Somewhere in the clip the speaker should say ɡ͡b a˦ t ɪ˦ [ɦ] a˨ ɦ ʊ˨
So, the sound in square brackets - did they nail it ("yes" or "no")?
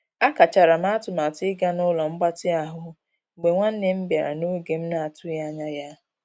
no